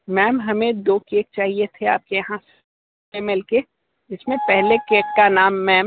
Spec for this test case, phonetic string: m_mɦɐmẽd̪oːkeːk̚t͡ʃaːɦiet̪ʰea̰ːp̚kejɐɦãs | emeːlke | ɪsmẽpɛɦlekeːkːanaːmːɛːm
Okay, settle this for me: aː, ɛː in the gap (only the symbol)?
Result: ɛː